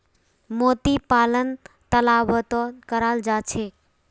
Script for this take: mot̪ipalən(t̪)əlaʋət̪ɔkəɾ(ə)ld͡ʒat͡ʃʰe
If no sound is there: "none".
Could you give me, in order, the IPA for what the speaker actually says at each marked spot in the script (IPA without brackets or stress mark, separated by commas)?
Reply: t̪, a